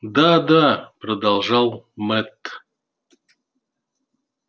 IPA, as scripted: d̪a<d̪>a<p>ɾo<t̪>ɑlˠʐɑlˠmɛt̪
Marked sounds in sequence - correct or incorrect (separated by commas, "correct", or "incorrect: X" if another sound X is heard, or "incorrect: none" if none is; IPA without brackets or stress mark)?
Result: correct, correct, incorrect: d̪